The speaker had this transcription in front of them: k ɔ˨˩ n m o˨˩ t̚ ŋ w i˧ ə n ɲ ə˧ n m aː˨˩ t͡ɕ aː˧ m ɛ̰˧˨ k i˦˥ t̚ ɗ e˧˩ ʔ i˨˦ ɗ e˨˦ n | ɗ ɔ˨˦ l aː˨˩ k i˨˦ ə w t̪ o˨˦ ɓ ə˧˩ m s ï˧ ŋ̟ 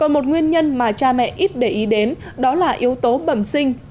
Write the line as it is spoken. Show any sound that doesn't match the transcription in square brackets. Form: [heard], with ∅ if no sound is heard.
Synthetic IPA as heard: k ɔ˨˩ n m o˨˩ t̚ ŋ w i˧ ə n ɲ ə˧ n m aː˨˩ t͡ɕ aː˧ m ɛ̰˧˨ [ʔ] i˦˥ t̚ ɗ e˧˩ ʔ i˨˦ ɗ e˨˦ n | ɗ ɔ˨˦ l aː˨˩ [ʔ] i˨˦ ə w t̪ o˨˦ ɓ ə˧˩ m s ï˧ ŋ̟

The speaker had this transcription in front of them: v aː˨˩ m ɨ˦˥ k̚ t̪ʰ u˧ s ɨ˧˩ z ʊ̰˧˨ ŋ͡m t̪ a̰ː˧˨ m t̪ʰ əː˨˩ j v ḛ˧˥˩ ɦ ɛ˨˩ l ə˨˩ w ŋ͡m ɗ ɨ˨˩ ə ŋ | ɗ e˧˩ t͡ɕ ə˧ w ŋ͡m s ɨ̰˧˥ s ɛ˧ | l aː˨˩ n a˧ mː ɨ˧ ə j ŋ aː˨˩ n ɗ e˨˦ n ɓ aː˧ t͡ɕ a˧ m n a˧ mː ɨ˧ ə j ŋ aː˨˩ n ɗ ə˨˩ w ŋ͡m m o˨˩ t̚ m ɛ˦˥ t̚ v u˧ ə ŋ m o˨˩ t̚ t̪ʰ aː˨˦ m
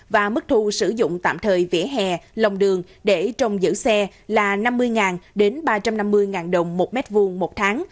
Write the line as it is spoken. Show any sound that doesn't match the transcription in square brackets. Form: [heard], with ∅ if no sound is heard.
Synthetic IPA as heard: v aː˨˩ m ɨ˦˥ k̚ t̪ʰ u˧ s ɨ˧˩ z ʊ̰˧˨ ŋ͡m t̪ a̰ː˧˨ m t̪ʰ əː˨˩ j v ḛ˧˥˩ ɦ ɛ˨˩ l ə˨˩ w ŋ͡m ɗ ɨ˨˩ ə ŋ | ɗ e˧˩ t͡ɕ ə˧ w ŋ͡m [z] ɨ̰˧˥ s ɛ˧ | l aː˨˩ n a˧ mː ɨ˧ ə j ŋ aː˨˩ n ɗ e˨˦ n ɓ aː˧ t͡ɕ a˧ m n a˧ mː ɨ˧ ə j ŋ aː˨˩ n ɗ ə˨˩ w ŋ͡m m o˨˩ t̚ m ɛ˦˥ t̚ v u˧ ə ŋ m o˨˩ t̚ t̪ʰ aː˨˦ [ŋ]

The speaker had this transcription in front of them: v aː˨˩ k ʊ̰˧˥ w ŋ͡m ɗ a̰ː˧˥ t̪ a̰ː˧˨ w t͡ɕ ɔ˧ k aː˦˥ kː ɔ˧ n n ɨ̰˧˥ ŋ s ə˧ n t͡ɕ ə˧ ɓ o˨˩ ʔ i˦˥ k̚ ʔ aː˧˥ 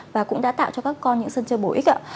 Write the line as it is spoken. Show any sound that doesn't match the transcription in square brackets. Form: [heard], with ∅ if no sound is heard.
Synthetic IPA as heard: v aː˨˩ k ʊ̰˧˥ [∅] ŋ͡m ɗ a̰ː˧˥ t̪ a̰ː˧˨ w t͡ɕ ɔ˧ k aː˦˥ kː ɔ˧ n [ɲ] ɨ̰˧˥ ŋ s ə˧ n t͡ɕ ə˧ ɓ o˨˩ ʔ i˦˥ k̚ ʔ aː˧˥

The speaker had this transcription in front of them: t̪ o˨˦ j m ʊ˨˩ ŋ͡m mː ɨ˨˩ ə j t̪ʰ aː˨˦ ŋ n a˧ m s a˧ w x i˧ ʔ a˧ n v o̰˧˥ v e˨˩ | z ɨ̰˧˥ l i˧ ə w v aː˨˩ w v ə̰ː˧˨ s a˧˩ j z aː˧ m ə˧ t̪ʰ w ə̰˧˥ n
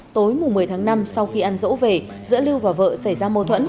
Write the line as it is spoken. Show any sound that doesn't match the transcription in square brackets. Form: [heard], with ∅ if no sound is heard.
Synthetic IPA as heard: t̪ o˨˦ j m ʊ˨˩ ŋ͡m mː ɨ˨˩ ə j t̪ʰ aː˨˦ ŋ n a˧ m s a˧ w x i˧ ʔ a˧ n [z] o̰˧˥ v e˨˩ | z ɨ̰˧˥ l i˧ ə w v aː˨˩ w v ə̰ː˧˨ s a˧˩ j z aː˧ m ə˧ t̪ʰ w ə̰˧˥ n

